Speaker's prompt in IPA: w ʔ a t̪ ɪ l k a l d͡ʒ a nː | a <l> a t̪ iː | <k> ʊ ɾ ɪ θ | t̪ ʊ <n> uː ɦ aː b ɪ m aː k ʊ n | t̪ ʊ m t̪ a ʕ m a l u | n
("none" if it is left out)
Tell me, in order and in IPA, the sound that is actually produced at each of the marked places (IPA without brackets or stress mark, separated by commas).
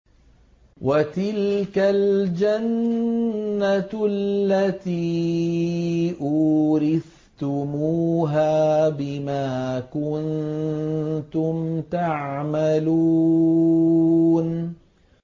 lː, ʔ, m